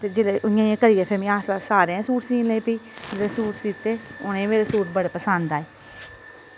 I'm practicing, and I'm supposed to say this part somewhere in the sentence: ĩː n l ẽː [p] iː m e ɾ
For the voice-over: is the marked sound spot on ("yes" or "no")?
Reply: yes